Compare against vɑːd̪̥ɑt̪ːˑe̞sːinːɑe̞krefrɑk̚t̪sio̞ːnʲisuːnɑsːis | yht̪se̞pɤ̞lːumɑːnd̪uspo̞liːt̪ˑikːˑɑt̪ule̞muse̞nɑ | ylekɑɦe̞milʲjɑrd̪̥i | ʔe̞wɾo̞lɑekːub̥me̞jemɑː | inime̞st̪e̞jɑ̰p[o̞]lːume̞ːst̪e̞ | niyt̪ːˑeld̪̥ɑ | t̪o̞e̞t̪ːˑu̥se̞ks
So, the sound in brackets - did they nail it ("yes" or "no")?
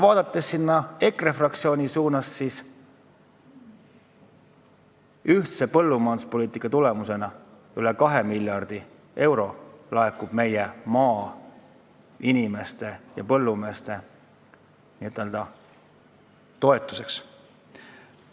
no